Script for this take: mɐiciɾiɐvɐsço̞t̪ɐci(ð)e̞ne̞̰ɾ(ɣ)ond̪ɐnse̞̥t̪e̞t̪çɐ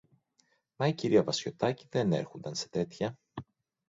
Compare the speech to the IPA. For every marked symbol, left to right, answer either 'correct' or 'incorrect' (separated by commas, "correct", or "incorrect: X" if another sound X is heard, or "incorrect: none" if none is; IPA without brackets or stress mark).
correct, incorrect: x